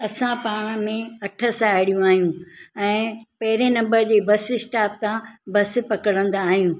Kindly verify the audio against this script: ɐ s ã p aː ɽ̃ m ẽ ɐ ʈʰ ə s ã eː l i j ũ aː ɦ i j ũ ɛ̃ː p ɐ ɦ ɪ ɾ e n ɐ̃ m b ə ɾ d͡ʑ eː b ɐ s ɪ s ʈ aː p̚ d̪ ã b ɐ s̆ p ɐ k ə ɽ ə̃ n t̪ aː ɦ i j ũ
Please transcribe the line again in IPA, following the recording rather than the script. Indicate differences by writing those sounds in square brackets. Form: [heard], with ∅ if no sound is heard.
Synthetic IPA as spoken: ɐ s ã p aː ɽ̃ m ẽ ɐ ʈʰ ə s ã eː [ɽ] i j ũ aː ɦ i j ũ ɛ̃ː p ɐ ɦ ɪ ɾ e n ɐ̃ m b ə ɾ d͡ʑ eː b ɐ s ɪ s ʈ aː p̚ [t̪] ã b ɐ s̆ p ɐ k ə ɽ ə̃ n [d̪] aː ɦ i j ũ